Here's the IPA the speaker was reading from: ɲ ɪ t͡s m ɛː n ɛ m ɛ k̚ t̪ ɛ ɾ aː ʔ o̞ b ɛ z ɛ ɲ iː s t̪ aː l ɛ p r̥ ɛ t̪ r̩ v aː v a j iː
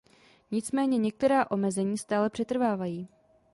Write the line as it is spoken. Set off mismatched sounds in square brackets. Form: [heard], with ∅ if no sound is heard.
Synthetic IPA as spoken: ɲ ɪ t͡s m ɛː [ɲ] ɛ [ɲ] ɛ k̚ t̪ ɛ ɾ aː ʔ o̞ [m] ɛ z ɛ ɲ iː s t̪ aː l ɛ p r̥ ɛ t̪ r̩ v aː v a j iː